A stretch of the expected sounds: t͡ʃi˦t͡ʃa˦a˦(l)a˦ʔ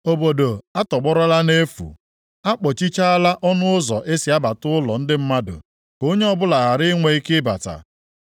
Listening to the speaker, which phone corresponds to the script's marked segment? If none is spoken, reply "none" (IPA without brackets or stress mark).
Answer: l